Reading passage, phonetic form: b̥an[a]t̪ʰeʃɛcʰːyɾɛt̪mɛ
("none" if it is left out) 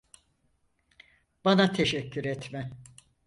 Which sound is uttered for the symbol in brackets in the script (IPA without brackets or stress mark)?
a